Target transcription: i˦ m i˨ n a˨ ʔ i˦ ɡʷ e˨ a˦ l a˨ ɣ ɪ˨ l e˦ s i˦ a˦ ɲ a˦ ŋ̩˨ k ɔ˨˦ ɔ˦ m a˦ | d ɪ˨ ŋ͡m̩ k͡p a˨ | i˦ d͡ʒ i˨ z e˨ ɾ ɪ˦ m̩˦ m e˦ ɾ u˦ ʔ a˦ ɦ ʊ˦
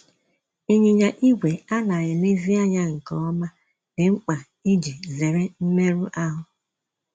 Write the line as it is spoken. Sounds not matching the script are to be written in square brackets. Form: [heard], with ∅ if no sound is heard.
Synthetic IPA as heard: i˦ [ɲ] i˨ [ɲ] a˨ ʔ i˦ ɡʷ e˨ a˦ l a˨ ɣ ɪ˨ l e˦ [z] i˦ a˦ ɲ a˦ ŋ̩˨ k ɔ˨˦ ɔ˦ m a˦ | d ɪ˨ ŋ͡m̩ k͡p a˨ | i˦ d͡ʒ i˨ z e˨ ɾ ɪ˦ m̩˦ m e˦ ɾ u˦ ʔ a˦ ɦ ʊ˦